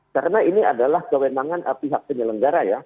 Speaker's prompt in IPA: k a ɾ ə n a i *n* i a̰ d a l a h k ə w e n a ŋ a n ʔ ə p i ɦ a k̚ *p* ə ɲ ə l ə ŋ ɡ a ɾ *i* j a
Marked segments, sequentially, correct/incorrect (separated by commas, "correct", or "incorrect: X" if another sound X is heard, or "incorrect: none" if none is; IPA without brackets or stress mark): correct, correct, incorrect: a